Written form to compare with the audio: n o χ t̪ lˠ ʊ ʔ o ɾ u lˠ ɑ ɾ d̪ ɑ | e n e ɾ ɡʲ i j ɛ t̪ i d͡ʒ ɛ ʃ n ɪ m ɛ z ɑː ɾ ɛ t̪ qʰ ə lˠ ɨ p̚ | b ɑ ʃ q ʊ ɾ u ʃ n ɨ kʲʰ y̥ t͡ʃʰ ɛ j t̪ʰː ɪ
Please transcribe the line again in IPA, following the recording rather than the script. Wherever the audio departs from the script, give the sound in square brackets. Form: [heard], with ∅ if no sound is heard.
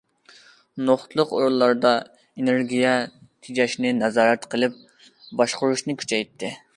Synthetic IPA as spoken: n o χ t̪ lˠ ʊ [q] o ɾ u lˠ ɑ ɾ d̪ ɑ | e n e ɾ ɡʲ i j ɛ [t̪ʰ] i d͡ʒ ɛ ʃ n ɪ [n] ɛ z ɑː ɾ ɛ t̪ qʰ ə lˠ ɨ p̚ | b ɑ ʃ q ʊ ɾ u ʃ n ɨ kʲʰ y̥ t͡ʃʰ ɛ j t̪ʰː ɪ

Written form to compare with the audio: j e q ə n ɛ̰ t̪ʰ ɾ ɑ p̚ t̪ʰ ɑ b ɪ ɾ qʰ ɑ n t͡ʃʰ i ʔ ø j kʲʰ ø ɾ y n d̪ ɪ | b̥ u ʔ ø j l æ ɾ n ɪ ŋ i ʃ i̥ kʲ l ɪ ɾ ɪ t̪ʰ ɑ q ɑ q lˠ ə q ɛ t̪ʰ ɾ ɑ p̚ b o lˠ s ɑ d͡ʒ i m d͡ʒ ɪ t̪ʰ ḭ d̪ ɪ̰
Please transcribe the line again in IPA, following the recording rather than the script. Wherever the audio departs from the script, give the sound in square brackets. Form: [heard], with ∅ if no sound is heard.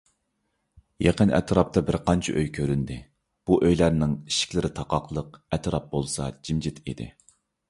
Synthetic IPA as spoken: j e q ə n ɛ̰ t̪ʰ ɾ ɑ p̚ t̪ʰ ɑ b ɪ ɾ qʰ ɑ n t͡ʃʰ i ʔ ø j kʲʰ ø ɾ y n d̪ ɪ | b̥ u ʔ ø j l æ ɾ n ɪ ŋ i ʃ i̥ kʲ l ɪ ɾ ɪ t̪ʰ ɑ q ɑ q lˠ ə q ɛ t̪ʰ ɾ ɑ p̚ b o lˠ s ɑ d͡ʒ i m d͡ʒ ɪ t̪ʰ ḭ d̪ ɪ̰

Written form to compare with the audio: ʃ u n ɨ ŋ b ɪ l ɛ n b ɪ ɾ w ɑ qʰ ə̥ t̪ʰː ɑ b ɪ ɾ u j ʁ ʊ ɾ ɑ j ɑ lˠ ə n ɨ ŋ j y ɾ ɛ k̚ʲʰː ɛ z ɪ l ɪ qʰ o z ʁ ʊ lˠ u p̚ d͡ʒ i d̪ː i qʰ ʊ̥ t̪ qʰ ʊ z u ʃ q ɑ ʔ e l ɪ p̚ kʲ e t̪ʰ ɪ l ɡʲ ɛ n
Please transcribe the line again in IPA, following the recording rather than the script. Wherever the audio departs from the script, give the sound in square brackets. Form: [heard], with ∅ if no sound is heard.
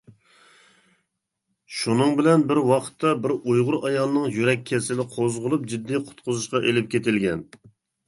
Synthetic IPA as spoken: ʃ u n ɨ ŋ b ɪ l ɛ n b ɪ ɾ w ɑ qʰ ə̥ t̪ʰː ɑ b ɪ ɾ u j ʁ ʊ ɾ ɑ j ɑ lˠ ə n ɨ ŋ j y ɾ ɛ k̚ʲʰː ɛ [s] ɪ l ɪ qʰ o z ʁ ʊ lˠ u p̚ d͡ʒ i d̪ː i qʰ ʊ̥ t̪ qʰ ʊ z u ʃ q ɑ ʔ e l ɪ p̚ kʲ e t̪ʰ ɪ l ɡʲ ɛ n

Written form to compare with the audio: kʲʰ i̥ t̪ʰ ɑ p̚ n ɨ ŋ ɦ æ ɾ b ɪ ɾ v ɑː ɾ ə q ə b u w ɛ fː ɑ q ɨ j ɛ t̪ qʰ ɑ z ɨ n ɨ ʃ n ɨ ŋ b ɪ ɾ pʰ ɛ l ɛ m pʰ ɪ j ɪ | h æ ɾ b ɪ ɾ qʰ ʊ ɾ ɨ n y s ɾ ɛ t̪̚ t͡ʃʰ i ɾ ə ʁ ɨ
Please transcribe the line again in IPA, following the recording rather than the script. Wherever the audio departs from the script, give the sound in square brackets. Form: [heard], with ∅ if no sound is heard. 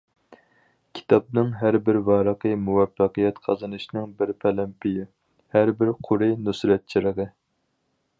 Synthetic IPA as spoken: kʲʰ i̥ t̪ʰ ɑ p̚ n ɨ ŋ ɦ æ ɾ b ɪ ɾ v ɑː ɾ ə q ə [m] u w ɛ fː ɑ q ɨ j ɛ t̪ qʰ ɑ z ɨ n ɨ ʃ n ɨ ŋ b ɪ ɾ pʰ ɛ l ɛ m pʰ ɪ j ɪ | h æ ɾ b ɪ ɾ qʰ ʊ ɾ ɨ n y s ɾ ɛ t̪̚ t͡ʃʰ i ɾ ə ʁ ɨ

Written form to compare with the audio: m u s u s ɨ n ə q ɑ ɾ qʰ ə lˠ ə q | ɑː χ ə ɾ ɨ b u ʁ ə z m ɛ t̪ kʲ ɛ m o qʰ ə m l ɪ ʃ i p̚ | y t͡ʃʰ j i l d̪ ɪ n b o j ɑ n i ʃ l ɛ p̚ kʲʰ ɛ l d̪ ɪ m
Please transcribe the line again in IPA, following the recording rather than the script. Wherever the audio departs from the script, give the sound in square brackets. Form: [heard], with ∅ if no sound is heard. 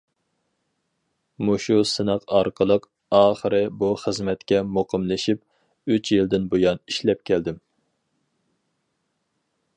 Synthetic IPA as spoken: m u [ʃ] u s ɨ n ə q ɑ ɾ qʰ ə lˠ ə q | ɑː χ ə ɾ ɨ b u [χ] ə z m ɛ t̪ kʲ ɛ m o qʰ ə m l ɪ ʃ i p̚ | y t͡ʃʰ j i l d̪ ɪ n b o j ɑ n i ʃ l ɛ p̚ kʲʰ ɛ l d̪ ɪ m

